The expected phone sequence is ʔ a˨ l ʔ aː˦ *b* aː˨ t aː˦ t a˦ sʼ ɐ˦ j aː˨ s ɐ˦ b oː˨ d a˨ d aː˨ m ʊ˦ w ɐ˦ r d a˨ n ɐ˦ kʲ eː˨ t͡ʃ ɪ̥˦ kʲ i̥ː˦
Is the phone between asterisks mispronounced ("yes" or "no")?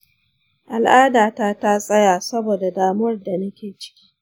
yes